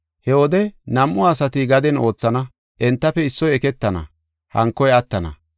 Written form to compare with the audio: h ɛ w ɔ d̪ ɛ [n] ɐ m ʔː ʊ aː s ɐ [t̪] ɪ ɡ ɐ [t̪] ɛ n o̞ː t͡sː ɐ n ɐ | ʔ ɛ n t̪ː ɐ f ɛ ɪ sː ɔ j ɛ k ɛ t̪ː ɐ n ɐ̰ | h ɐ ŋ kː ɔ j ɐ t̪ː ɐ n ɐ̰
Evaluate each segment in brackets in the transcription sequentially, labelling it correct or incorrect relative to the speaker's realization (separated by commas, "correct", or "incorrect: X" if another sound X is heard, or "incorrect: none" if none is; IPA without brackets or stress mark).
correct, correct, incorrect: d̪